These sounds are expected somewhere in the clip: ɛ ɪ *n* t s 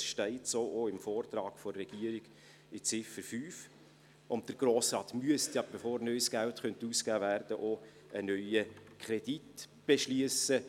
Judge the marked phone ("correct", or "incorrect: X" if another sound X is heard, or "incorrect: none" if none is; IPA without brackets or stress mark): incorrect: none